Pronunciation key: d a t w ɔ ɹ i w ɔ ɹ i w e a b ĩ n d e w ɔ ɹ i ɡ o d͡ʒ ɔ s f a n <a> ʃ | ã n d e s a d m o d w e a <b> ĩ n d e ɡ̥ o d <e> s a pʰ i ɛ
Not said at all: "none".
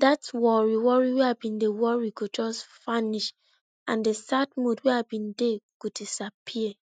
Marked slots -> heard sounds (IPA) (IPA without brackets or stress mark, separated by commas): i, b, i